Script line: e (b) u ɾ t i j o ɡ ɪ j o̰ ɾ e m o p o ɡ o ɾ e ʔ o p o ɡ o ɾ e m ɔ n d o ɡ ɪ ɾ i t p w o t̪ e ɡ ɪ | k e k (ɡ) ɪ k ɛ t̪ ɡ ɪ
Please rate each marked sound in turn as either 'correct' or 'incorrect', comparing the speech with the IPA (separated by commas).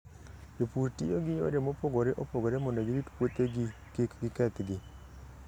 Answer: incorrect, correct